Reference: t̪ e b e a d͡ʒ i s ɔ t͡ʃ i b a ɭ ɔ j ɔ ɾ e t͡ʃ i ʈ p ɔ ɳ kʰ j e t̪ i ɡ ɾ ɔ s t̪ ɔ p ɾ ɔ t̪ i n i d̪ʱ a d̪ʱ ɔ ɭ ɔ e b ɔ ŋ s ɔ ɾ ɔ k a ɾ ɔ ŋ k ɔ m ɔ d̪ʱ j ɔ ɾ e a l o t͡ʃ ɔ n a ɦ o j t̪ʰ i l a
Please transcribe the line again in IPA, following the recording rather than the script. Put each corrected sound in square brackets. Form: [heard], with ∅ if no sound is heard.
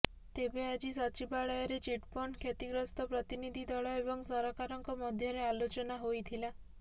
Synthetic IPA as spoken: t̪ e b e a d͡ʒ i s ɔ t͡ʃ i b a ɭ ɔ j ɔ ɾ e t͡ʃ i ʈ p ɔ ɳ kʰ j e t̪ i ɡ ɾ ɔ s t̪ ɔ p ɾ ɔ t̪ i n i d̪ʱ [i] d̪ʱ ɔ ɭ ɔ e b ɔ ŋ s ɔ ɾ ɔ k a ɾ ɔ ŋ k ɔ m ɔ d̪ʱ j ɔ ɾ e a l o t͡ʃ ɔ n a ɦ o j t̪ʰ i l a

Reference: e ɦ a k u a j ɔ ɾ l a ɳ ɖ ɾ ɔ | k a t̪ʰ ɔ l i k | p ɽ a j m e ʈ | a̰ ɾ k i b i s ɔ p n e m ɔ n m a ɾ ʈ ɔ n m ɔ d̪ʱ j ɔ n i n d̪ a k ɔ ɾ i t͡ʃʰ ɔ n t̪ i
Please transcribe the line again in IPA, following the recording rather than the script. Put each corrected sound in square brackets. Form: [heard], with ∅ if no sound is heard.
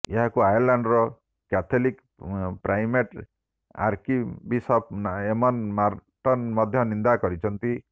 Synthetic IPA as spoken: e ɦ a k u a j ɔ ɾ l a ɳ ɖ ɾ ɔ | k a t̪ʰ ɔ l i k | p [ɾ] a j m e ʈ | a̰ ɾ k i b i s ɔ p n e m ɔ n m a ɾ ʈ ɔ n m ɔ d̪ʱ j ɔ n i n d̪ a k ɔ ɾ i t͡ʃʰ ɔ n t̪ i

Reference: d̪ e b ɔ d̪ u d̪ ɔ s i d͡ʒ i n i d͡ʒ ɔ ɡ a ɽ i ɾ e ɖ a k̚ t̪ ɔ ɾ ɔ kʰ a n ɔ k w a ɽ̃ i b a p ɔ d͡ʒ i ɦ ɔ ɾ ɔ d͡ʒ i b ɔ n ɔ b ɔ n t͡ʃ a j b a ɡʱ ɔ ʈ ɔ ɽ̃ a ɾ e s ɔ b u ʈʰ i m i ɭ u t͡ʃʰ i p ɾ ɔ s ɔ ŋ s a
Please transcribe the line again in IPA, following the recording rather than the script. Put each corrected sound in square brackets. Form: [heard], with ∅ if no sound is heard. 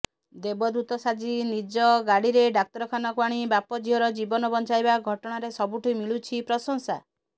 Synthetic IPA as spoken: d̪ e b ɔ d̪ u [t̪] ɔ s [a] d͡ʒ i n i d͡ʒ ɔ ɡ a ɽ i ɾ e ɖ a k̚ t̪ ɔ ɾ ɔ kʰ a n ɔ k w a ɽ̃ i b a p ɔ d͡ʒ i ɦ ɔ ɾ ɔ d͡ʒ i b ɔ n ɔ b ɔ n t͡ʃ a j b a ɡʱ ɔ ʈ ɔ ɽ̃ a ɾ e s ɔ b u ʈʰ i m i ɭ u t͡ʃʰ i p ɾ ɔ s ɔ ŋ s a

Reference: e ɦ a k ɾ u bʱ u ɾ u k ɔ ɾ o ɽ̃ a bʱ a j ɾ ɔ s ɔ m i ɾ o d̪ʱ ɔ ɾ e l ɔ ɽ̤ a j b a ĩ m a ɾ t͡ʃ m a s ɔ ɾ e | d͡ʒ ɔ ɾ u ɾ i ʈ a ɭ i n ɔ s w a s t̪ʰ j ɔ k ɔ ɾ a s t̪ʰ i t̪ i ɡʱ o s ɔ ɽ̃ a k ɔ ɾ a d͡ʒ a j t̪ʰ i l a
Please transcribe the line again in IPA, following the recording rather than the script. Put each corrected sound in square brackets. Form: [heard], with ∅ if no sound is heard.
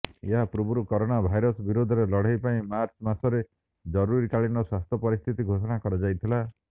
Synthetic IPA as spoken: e ɦ a [p] ɾ u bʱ u ɾ u k ɔ ɾ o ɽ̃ a bʱ a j ɾ ɔ s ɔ [b] i ɾ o d̪ʱ ɔ ɾ e l ɔ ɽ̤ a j [p] a ĩ m a ɾ t͡ʃ m a s ɔ ɾ e | d͡ʒ ɔ ɾ u ɾ i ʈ a ɭ i n ɔ s w a s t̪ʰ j ɔ [p] ɔ ɾ [i] s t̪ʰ i t̪ i ɡʱ o s ɔ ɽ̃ a k ɔ ɾ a d͡ʒ a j t̪ʰ i l a

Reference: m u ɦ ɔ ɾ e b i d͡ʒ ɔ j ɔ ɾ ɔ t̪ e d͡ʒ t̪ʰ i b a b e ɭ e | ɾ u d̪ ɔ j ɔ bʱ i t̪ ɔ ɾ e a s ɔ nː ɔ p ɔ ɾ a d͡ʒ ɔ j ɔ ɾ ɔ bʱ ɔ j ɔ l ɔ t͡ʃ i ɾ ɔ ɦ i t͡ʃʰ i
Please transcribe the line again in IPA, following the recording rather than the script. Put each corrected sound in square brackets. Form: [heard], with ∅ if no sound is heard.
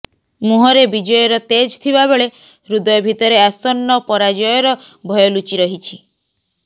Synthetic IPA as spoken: m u ɦ ɔ ɾ e b i d͡ʒ ɔ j ɔ ɾ ɔ t̪ e d͡ʒ t̪ʰ i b a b e ɭ e | ɾ u d̪ ɔ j ɔ bʱ i t̪ ɔ ɾ e a s ɔ nː ɔ p ɔ ɾ a d͡ʒ ɔ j ɔ ɾ ɔ bʱ ɔ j ɔ l [u] t͡ʃ i ɾ ɔ ɦ i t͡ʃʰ i

